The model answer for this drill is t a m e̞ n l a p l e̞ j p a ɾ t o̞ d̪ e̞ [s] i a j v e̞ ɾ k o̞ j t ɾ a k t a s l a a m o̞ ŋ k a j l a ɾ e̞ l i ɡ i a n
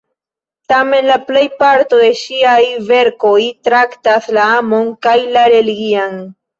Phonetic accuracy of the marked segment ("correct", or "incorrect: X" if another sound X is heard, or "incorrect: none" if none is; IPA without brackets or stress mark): incorrect: ʃ